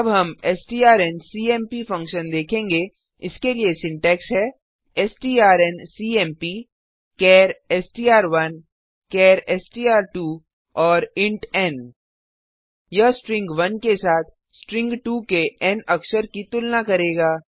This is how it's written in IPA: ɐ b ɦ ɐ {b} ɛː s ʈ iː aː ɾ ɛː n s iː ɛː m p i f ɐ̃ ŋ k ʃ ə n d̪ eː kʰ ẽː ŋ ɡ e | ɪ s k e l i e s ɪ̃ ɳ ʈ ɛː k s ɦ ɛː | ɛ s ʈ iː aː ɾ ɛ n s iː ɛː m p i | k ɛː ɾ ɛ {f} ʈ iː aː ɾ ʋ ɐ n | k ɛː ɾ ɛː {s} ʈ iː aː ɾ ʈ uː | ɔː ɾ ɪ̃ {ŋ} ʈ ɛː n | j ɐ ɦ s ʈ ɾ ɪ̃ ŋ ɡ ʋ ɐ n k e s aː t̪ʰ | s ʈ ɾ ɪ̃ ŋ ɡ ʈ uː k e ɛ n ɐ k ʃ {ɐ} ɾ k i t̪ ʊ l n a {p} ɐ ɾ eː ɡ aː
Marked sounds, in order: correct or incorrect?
incorrect: m, incorrect: s, correct, incorrect: ɳ, incorrect: ə, incorrect: k

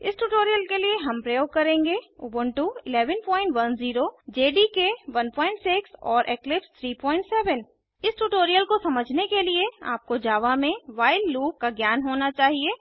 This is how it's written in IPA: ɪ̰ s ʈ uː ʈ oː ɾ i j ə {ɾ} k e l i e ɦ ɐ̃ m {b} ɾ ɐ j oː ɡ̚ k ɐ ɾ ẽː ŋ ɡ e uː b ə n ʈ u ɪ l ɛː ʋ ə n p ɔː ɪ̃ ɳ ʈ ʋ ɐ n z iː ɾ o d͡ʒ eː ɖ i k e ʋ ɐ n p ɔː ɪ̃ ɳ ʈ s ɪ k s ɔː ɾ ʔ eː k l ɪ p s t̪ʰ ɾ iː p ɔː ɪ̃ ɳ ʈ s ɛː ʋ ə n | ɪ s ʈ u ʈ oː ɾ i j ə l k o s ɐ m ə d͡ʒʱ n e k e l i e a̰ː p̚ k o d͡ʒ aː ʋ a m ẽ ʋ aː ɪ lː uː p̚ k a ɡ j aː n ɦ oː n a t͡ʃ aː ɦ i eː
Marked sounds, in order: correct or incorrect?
incorrect: l, incorrect: p

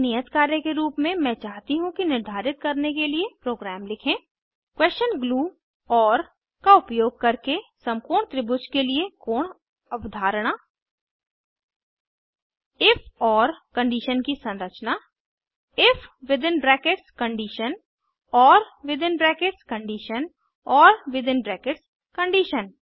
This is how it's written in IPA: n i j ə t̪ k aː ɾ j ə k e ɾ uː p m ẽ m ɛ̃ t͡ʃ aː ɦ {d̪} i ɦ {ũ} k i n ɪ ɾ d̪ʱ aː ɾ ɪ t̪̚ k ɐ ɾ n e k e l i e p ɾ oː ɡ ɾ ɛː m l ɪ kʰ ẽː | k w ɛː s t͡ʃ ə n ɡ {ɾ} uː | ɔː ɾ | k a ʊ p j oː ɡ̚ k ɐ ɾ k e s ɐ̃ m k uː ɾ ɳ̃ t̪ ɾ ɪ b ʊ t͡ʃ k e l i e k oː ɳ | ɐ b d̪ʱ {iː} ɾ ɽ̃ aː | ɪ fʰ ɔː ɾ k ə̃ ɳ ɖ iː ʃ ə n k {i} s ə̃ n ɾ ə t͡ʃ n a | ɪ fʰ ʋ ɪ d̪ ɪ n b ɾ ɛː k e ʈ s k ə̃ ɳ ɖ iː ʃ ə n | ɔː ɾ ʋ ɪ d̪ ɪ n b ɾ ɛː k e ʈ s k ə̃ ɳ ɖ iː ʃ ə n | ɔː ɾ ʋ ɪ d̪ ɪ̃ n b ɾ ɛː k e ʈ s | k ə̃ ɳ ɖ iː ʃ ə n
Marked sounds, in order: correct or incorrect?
incorrect: t̪, correct, incorrect: l, incorrect: aː, correct

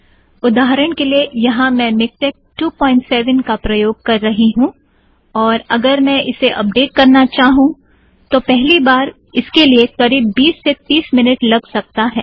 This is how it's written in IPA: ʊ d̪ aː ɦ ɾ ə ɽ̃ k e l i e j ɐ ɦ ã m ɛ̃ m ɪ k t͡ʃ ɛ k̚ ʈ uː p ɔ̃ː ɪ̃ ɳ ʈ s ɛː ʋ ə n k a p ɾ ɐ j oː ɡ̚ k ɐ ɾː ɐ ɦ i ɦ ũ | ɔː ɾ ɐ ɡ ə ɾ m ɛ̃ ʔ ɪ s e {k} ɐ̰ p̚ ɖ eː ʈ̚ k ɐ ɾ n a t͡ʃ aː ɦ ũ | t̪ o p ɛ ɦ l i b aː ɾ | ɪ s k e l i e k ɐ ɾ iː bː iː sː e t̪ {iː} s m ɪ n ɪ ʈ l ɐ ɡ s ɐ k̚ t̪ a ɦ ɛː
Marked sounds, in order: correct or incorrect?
incorrect: ʔ, correct

